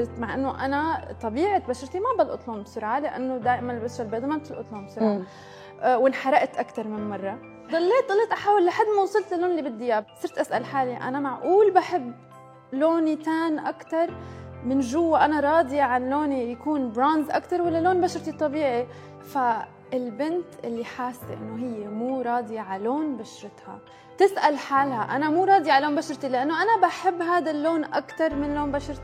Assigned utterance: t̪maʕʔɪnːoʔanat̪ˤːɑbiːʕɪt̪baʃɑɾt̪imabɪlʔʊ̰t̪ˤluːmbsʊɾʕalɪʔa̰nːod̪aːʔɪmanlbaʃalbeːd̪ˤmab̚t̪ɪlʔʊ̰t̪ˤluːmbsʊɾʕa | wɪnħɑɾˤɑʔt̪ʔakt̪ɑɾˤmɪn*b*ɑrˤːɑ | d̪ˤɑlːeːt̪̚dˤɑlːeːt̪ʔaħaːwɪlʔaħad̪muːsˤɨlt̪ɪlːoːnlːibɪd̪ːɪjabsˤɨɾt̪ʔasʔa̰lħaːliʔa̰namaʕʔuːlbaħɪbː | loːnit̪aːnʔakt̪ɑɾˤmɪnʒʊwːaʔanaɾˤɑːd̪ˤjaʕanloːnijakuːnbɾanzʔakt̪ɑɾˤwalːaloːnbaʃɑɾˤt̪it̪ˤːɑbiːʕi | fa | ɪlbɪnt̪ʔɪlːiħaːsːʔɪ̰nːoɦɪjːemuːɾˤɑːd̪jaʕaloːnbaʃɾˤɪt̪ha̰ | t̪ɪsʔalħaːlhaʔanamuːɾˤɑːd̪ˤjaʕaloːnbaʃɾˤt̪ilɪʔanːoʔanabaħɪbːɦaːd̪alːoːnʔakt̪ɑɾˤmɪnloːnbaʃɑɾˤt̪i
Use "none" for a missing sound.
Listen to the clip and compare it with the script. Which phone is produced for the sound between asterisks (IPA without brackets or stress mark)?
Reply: m